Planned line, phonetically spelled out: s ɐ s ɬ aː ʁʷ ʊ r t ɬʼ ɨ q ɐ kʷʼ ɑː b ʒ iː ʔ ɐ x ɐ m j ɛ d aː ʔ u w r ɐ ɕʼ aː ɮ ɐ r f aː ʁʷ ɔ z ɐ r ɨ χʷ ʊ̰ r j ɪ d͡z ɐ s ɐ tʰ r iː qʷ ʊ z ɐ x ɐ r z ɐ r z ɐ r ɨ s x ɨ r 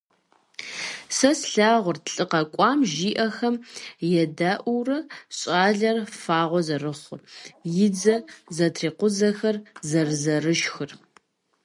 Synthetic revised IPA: s ɐ s ɬ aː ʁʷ ʊ r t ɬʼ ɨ q ɐ kʷʼ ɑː m ʒ iː ʔ ɐ x ɐ m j ɛ d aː ʔ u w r ɐ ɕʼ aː ɮ ɐ r f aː ʁʷ ɔ z ɐ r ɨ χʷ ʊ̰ r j ɪ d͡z ɐ z ɐ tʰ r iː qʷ ʊ z ɐ x ɐ r z ɐ r z ɐ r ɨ ʃ x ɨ r